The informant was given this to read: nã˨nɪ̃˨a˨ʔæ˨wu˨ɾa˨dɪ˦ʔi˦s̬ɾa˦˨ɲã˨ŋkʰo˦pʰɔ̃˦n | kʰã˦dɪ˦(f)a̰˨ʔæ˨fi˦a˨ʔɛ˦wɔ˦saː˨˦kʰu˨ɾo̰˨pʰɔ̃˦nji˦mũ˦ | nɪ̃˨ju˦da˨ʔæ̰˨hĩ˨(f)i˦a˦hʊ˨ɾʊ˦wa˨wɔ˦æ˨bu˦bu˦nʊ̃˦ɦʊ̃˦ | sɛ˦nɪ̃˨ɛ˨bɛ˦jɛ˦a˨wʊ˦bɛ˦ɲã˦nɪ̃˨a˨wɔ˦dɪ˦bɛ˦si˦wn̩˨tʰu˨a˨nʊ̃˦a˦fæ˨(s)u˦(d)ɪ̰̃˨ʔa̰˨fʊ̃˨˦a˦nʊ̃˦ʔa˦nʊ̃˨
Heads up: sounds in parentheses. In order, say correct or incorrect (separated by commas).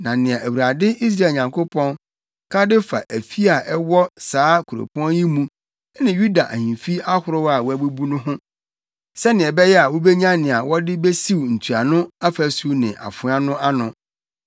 correct, correct, correct, incorrect